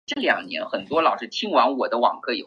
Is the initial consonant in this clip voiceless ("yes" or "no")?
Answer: yes